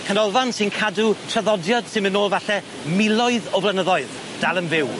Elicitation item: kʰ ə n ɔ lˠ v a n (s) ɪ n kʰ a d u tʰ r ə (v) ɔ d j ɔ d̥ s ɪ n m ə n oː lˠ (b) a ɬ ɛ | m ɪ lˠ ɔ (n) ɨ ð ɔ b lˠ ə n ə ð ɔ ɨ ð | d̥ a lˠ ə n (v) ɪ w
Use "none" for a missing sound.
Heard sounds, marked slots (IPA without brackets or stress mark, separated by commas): s, ð, v, none, v